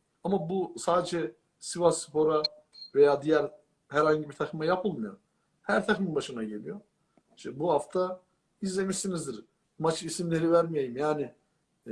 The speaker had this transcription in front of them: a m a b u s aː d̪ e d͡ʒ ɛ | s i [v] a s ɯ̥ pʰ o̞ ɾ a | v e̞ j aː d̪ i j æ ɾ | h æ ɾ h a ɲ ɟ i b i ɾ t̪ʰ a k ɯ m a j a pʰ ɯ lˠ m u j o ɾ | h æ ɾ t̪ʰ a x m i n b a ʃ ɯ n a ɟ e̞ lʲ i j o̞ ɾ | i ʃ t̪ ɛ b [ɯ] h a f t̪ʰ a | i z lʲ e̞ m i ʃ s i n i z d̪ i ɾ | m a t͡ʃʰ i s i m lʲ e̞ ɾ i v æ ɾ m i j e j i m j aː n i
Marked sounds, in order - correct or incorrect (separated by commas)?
correct, incorrect